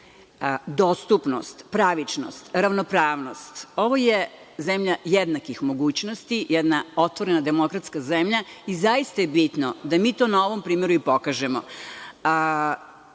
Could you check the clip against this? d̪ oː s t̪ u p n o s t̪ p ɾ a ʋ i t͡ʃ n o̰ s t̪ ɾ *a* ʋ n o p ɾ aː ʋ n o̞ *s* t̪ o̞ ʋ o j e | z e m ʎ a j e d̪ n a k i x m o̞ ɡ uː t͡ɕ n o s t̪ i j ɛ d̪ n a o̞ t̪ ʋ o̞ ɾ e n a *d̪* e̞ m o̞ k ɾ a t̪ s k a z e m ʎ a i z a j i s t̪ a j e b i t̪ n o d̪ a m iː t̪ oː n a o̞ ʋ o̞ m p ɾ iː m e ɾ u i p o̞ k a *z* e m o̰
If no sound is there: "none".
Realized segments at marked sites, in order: a, s, d̪, ʒ

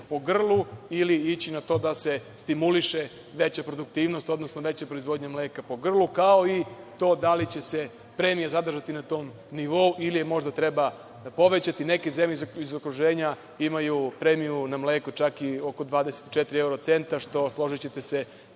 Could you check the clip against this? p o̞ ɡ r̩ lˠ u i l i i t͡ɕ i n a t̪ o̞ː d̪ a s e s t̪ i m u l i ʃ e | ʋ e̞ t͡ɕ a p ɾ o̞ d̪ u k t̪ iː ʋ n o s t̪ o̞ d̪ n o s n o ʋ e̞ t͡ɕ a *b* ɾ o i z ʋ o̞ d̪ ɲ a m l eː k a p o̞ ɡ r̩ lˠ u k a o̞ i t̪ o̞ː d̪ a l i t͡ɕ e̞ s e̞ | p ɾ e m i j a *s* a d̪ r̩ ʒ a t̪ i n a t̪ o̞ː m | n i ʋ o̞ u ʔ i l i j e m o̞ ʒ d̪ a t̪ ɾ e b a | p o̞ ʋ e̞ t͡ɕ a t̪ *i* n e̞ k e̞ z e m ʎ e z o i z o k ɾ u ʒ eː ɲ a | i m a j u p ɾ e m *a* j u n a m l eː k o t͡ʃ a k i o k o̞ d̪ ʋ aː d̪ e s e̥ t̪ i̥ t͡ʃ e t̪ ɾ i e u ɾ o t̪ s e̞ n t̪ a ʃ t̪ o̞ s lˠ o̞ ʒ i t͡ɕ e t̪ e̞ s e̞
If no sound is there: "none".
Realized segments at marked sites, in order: p, z, i, i

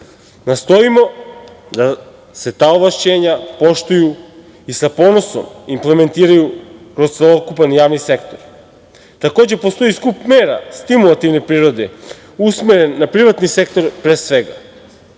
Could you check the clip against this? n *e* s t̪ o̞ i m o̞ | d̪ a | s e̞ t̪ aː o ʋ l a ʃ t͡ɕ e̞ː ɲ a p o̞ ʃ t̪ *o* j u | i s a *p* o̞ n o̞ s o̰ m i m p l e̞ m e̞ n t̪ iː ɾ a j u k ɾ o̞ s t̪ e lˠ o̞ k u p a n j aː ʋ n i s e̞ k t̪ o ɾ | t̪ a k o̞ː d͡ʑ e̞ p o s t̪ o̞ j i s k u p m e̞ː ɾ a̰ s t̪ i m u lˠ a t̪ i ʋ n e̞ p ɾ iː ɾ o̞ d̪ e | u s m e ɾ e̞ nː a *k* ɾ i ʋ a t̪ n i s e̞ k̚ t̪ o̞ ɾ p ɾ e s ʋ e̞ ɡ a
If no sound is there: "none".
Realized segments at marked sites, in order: a, u, p, p

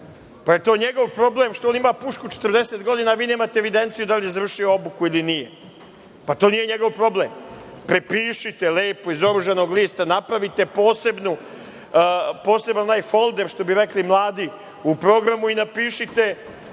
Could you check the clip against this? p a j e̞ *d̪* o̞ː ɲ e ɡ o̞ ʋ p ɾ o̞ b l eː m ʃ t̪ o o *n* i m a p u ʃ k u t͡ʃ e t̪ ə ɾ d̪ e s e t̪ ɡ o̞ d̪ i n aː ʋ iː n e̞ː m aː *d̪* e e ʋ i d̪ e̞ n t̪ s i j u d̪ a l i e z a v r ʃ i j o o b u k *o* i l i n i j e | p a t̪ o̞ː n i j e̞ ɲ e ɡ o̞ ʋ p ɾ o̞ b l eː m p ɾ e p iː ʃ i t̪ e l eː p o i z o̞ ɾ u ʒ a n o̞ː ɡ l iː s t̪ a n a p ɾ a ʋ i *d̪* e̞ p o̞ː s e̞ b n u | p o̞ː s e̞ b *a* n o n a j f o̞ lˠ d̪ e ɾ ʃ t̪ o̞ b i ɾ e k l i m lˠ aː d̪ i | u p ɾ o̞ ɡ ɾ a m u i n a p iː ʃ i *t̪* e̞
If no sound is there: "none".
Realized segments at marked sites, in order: t̪, n, t̪, u, t̪, a, t̪

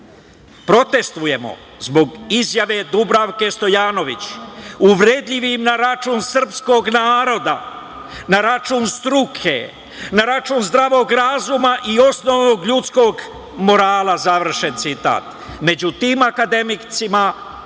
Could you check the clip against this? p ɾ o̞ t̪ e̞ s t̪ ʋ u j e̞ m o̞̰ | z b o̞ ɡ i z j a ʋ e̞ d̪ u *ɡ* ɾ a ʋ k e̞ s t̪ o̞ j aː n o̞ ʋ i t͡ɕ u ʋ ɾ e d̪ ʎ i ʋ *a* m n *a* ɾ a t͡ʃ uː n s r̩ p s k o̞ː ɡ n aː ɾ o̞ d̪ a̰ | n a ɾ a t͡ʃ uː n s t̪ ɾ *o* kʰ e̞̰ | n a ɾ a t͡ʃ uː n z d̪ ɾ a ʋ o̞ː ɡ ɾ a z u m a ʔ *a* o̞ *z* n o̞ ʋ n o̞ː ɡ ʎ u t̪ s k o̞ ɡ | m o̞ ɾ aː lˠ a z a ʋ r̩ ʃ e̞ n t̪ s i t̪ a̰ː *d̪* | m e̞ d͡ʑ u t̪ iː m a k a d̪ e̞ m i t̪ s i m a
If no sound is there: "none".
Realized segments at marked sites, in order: b, i, a, u, i, s, t̪

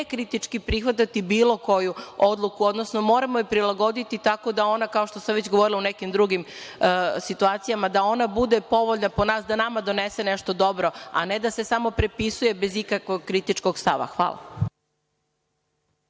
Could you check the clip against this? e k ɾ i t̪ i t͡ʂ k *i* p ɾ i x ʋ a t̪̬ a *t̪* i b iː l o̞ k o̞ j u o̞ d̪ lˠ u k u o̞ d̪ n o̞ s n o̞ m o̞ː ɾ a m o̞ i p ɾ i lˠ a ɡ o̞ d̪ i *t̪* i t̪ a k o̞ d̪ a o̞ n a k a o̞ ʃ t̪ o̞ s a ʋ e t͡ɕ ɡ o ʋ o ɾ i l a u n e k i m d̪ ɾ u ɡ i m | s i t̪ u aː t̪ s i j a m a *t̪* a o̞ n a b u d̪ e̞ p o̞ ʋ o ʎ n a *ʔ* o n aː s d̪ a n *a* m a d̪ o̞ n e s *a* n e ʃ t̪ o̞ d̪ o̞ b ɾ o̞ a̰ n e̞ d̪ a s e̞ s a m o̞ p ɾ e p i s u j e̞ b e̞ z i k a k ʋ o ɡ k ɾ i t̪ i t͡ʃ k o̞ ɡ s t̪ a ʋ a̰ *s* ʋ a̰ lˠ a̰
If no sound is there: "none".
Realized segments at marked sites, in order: i, t̪, t̪, d̪, p, a, e, x

